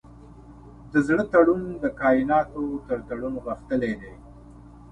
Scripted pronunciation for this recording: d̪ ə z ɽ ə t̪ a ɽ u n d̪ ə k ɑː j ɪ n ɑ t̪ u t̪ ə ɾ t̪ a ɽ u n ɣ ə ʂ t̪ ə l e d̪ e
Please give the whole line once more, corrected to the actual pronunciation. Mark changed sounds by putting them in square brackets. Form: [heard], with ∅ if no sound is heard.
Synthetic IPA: d̪ ə z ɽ ə t̪ a ɽ u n d̪ ə k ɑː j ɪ n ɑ t̪ [o] t̪ ə ɾ t̪ a ɽ u n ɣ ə [x] t̪ ə l e d̪ e